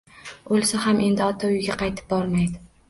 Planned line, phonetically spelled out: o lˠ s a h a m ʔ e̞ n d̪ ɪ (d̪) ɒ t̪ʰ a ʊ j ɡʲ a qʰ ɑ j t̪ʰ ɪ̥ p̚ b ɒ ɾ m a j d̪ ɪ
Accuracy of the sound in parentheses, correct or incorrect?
incorrect